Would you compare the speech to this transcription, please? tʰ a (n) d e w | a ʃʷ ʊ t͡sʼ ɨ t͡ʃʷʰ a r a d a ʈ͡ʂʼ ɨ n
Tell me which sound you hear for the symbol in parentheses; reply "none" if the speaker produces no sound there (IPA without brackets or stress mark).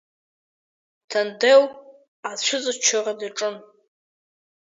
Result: n